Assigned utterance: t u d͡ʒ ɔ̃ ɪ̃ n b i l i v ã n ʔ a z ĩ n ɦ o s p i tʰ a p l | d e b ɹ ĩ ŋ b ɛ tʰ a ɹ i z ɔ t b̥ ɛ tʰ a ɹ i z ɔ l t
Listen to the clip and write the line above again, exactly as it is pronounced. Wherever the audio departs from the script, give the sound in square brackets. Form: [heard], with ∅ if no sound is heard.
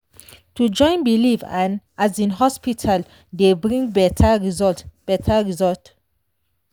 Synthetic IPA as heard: t u d͡ʒ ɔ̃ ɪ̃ n b i l i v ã n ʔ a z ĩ n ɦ [ɔ] s p i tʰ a [∅] l | d e b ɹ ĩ ŋ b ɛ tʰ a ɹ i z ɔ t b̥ ɛ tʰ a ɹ i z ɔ l t